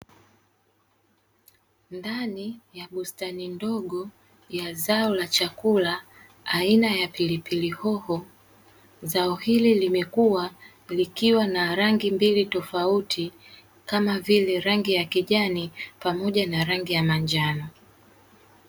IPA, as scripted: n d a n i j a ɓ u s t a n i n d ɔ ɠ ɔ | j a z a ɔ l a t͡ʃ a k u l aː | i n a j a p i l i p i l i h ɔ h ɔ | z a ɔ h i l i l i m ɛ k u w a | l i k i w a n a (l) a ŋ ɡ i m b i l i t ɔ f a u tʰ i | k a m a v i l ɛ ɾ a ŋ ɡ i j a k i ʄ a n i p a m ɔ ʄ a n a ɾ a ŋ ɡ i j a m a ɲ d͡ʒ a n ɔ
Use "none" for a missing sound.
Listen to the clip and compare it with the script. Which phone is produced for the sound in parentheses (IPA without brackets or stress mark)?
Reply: ɾ